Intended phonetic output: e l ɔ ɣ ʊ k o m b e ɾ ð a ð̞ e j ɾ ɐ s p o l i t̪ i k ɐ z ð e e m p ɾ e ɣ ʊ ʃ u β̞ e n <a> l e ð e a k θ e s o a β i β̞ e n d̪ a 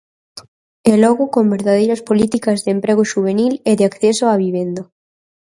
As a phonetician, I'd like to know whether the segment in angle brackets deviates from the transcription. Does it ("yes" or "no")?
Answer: yes